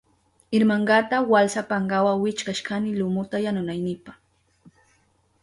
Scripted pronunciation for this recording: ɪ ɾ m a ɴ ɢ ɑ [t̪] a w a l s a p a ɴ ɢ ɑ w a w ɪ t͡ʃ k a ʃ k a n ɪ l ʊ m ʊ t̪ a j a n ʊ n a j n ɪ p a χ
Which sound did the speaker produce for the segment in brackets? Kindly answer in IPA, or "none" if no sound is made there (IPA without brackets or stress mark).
t̪